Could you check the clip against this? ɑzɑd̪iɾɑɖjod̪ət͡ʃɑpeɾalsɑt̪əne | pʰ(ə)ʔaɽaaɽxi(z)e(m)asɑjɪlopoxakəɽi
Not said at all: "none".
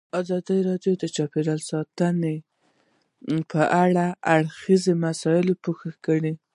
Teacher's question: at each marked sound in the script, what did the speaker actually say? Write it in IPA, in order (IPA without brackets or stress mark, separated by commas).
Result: ə, z, m